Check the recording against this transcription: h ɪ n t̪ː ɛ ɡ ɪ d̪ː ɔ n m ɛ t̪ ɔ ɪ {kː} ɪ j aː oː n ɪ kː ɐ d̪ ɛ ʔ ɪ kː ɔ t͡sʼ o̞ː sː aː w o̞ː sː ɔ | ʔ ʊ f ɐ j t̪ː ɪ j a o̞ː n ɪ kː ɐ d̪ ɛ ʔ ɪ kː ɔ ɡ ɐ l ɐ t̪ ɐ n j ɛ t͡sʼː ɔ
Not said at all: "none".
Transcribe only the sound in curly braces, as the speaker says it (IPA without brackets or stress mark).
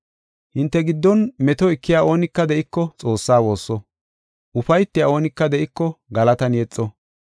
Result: kː